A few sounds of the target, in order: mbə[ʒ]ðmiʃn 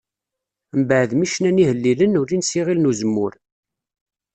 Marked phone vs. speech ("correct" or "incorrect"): incorrect